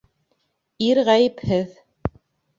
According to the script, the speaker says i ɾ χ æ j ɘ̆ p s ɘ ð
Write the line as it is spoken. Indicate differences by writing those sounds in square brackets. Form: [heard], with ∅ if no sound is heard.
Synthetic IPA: i ɾ [ʁ] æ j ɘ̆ p [h] ɘ ð